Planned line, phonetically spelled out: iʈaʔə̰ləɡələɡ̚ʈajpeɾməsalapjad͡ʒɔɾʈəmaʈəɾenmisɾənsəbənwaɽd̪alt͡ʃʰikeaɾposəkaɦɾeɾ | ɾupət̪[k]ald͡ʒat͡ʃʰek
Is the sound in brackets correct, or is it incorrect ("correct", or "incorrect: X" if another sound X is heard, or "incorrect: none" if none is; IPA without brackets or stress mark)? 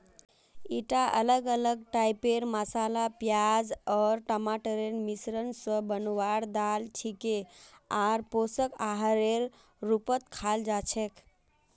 incorrect: kʰ